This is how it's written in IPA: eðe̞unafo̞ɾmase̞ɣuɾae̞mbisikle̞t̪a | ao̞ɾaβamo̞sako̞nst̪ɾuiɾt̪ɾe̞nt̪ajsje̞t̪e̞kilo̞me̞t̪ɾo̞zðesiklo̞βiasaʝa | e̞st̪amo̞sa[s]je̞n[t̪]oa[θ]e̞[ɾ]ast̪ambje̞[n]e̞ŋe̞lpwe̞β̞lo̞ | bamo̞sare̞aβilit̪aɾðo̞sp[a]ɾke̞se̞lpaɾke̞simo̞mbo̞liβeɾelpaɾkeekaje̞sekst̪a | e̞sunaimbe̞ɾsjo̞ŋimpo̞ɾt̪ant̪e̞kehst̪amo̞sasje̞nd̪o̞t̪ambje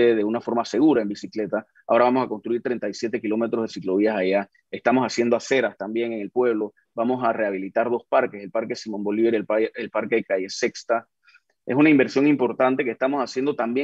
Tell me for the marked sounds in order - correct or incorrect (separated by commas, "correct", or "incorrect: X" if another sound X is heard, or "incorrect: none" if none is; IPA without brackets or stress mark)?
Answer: correct, incorrect: d̪, incorrect: s, correct, incorrect: ŋ, correct